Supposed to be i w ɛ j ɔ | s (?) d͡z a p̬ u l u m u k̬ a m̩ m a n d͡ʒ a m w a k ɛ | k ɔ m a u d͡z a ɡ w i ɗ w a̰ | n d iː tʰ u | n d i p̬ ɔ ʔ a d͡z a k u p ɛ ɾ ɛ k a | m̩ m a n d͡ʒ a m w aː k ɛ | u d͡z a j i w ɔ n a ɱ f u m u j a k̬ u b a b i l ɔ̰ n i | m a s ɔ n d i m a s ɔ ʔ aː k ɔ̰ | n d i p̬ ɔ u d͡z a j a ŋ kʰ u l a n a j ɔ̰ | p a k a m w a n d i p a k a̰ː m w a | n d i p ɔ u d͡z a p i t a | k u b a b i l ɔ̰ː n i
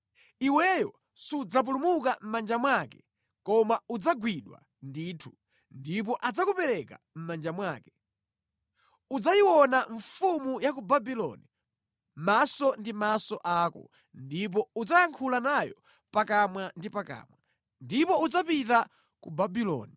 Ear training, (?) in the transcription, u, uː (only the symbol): u